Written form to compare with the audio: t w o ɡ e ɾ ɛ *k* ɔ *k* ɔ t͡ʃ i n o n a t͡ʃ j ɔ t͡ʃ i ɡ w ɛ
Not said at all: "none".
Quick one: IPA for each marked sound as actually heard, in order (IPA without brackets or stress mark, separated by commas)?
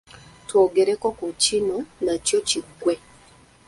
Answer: k, k